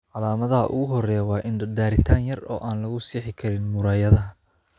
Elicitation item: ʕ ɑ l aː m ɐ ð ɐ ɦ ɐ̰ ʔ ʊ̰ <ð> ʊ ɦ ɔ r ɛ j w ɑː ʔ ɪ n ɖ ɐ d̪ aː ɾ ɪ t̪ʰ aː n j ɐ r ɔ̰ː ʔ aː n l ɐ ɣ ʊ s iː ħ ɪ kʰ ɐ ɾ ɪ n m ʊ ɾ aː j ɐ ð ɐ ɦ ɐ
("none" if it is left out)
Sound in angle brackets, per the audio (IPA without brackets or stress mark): ɣ